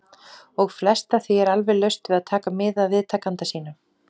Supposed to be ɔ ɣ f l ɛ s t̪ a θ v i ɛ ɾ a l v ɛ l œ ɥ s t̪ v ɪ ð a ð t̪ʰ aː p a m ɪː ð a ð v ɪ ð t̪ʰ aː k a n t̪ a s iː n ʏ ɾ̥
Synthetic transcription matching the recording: ɔ ɣ f l ɛ s t̪ a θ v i ɛ ɾ a l v ɛ l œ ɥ s t̪ v ɪ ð a ð t̪ʰ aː k a m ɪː ð a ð v ɪ ð t̪ʰ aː k a n t̪ a s iː n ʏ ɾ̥